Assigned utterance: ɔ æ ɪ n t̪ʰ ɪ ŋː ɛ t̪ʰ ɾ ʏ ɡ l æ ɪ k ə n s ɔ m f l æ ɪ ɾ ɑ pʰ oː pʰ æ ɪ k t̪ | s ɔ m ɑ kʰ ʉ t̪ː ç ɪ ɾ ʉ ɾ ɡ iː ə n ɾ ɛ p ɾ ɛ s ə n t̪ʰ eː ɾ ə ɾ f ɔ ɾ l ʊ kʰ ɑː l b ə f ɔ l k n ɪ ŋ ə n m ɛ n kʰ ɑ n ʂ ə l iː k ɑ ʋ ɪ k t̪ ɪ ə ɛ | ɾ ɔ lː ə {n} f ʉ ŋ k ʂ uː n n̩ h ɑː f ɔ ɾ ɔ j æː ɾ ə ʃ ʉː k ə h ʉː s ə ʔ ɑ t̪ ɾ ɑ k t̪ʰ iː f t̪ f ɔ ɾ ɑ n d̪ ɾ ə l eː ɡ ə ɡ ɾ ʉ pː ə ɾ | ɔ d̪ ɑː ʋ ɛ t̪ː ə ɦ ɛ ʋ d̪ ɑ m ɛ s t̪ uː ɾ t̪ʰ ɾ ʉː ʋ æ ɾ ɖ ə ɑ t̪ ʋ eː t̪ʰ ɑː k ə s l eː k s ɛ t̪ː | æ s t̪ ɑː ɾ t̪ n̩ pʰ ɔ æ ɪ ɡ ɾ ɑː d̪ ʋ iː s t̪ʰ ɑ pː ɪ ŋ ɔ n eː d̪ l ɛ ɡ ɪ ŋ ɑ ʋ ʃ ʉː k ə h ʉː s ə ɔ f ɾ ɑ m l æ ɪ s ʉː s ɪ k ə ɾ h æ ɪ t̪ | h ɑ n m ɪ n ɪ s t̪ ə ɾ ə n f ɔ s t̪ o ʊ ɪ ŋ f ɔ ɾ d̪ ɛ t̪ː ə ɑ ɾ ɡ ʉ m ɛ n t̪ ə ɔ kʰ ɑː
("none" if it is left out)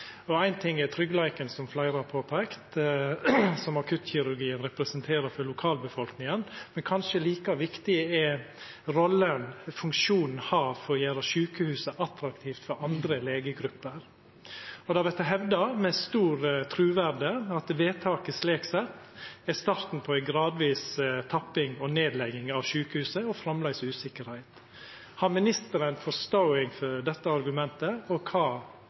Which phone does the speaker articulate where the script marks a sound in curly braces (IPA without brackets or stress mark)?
n